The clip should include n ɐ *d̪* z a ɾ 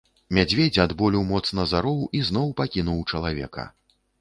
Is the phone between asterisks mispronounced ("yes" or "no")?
yes